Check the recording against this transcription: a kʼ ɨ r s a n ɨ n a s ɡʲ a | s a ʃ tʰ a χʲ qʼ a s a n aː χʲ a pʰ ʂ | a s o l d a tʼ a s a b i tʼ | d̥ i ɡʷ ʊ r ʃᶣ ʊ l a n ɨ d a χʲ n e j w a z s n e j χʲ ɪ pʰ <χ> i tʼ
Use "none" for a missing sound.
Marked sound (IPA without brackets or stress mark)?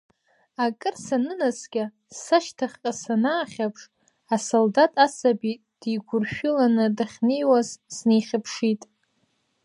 ʂ